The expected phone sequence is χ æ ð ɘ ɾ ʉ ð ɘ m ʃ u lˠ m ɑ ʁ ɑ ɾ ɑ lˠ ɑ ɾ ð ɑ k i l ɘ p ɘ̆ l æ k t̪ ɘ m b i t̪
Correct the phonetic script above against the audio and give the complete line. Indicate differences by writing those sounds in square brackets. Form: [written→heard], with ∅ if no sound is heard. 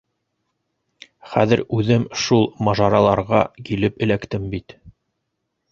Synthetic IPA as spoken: χ æ ð ɘ ɾ ʉ ð ɘ m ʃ u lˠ m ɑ [ʁ→ʒ] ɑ ɾ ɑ lˠ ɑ ɾ [ð→ʁ] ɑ k i l ɘ p ɘ̆ l æ k t̪ ɘ m b i t̪